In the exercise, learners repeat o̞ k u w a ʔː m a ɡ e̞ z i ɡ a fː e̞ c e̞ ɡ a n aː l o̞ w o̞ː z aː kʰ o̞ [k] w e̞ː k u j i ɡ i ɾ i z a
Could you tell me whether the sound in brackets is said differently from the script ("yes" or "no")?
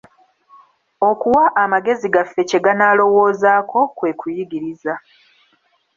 no